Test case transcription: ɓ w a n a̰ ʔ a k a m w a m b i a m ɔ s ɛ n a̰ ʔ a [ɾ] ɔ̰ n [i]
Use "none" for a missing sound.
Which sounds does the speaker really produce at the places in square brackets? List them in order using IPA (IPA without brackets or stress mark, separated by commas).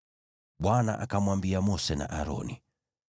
ɾ, i